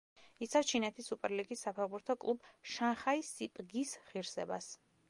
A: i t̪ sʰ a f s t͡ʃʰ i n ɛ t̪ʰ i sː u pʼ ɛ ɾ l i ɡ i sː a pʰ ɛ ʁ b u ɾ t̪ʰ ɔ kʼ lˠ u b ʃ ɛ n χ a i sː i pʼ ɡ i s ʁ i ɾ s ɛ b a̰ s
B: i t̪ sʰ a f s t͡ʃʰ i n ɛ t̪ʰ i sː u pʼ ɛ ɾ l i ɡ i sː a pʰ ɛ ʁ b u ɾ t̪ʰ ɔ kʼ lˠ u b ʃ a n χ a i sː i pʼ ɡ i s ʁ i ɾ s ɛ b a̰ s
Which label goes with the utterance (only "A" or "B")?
B